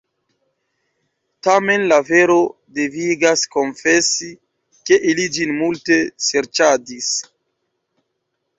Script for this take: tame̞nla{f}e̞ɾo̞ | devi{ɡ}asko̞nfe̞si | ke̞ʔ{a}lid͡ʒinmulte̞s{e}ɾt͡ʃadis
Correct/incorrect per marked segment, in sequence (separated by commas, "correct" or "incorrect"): incorrect, correct, incorrect, correct